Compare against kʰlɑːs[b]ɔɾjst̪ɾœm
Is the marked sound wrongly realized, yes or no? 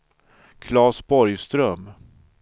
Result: no